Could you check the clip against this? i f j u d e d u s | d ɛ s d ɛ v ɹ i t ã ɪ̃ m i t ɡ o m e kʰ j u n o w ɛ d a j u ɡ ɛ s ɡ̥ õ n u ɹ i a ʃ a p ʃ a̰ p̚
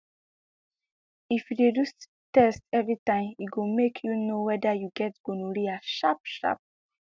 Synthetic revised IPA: i f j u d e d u s | t ɛ s t ɛ v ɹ i t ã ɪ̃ m i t ɡ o m e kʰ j u n o w ɛ d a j u ɡ ɛ t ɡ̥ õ n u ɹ i a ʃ a p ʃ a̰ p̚